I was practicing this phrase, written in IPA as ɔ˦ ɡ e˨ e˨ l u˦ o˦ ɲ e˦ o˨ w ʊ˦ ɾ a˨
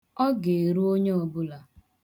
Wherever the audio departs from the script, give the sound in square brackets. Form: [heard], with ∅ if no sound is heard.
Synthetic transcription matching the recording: ɔ˦ ɡ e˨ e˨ [ɾ] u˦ o˦ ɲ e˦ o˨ [b] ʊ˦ [l] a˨